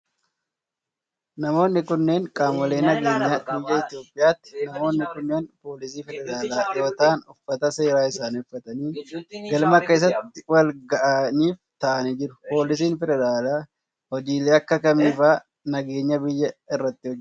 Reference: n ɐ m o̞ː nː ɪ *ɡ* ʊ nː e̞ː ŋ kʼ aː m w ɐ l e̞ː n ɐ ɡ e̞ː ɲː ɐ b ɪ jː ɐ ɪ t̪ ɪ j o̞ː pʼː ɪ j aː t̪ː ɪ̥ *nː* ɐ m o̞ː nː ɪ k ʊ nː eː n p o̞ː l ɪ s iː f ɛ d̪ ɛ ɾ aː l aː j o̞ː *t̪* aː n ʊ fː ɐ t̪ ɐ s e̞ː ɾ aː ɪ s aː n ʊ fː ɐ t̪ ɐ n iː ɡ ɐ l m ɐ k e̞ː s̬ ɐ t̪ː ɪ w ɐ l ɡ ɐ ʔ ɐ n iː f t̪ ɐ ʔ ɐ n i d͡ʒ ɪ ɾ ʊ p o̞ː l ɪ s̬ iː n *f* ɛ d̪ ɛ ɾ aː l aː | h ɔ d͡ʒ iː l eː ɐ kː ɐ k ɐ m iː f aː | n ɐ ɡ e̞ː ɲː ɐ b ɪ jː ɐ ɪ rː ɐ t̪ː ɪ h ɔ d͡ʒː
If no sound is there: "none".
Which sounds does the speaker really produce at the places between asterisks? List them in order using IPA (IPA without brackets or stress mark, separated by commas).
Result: k, n, t̪, f